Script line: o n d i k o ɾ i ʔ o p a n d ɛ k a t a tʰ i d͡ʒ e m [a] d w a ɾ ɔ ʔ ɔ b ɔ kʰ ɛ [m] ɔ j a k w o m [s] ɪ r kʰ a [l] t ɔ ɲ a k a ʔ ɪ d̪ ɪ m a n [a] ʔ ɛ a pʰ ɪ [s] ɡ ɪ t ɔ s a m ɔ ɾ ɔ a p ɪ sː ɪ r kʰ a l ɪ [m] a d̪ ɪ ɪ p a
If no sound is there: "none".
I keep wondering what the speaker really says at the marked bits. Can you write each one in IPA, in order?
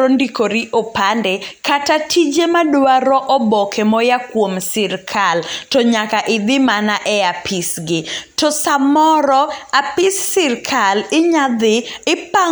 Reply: a, m, s, l, a, s, ɲ

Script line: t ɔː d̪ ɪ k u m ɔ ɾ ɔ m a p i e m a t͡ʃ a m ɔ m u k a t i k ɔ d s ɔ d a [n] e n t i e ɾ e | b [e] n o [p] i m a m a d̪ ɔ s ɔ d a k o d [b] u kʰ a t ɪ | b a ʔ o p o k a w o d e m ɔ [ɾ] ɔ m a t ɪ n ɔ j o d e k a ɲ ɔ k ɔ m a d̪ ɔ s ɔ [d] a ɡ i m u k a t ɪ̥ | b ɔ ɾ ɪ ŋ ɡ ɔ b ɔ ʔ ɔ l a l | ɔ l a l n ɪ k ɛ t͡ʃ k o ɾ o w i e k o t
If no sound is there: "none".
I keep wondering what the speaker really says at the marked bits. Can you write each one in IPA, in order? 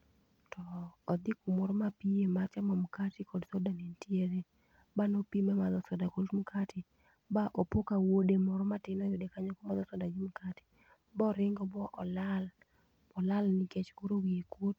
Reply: n, a, p, m, ɾ, d

